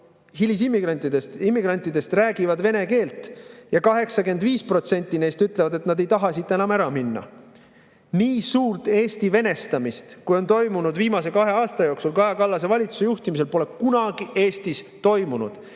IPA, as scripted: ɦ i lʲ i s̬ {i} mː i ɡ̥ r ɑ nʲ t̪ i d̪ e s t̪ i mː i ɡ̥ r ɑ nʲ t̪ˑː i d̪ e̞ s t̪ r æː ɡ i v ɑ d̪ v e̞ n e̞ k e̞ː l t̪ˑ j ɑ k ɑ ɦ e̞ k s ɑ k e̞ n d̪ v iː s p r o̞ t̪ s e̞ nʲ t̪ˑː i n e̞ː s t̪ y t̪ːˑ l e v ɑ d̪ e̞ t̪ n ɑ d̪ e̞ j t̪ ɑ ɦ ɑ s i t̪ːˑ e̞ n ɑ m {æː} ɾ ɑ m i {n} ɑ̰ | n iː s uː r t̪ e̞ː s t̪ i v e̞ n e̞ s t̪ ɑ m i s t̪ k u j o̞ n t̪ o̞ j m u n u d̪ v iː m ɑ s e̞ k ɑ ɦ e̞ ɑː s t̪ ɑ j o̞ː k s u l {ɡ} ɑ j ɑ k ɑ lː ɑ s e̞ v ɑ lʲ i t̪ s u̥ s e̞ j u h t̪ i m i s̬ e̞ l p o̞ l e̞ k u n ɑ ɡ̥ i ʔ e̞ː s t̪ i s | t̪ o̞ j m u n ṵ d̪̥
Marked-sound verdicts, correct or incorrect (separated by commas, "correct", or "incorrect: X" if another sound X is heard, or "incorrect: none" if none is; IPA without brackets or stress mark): correct, incorrect: æ, incorrect: nː, incorrect: k